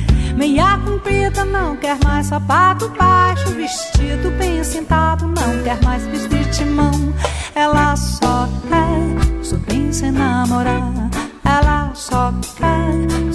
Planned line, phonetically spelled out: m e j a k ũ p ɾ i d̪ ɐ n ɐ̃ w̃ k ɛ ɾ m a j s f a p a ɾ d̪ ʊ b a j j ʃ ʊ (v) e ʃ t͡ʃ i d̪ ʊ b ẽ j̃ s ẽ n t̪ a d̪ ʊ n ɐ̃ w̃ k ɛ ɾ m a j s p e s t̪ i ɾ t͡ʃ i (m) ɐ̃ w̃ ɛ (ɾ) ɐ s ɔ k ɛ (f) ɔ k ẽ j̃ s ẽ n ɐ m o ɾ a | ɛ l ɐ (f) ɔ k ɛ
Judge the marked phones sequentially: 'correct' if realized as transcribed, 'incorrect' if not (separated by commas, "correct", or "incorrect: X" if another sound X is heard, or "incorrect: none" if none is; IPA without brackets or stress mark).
correct, correct, incorrect: l, incorrect: s, incorrect: s